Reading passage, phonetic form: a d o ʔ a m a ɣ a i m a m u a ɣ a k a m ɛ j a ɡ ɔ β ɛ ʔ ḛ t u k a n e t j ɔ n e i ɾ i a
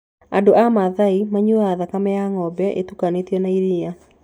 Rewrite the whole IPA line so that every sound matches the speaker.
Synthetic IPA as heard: a d o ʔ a m a ð a i m a ɲ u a ð a k a m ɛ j a ŋ ɔ b ɛ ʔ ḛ t u k a n e t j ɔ n a i ɾ i a